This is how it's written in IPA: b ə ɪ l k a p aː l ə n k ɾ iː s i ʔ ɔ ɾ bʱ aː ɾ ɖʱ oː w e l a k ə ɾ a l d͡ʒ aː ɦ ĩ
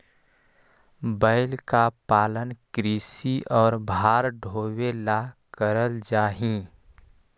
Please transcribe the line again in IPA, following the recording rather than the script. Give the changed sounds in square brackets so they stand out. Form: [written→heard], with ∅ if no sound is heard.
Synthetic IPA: b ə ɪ l k a p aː l ə n k ɾ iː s i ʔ [ɔ→ɔː] ɾ bʱ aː ɾ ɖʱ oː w e l a k ə ɾ [a→ə] l d͡ʒ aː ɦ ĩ